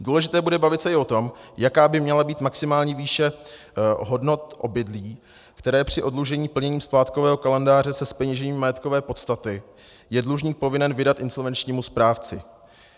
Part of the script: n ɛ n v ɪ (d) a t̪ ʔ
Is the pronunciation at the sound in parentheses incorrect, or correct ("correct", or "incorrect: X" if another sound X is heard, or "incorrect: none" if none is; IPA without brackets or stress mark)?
correct